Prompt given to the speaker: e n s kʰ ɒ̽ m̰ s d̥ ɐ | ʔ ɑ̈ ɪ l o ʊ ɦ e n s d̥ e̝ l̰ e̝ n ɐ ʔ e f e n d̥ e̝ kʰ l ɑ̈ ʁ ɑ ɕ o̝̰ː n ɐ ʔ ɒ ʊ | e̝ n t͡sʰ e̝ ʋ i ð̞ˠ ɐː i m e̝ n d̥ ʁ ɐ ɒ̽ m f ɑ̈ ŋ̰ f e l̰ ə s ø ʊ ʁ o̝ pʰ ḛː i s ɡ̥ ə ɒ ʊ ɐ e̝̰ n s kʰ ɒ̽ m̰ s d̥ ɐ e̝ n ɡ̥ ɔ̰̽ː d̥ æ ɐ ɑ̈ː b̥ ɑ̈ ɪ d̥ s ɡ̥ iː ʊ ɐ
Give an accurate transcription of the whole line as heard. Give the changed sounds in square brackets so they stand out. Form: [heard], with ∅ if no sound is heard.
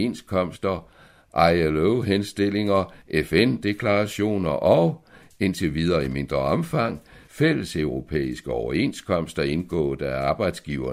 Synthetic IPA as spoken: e n s kʰ ɒ̽ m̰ s d̥ ɐ | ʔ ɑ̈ ɪ l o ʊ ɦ e n s d̥ e̝ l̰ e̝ [ŋ] ɐ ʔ e f e n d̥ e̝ kʰ l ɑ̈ ʁ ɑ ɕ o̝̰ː n ɐ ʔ ɒ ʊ | e̝ n t͡sʰ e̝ ʋ i ð̞ˠ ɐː i m e̝ n d̥ ʁ ɐ ɒ̽ m f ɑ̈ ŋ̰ f e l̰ ə s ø ʊ ʁ o̝ pʰ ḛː i s ɡ̥ ə ɒ ʊ ɐ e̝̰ n s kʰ ɒ̽ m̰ s d̥ ɐ e̝ n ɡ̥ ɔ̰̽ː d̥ æ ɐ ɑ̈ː b̥ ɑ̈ ɪ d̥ s ɡ̥ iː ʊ ɐ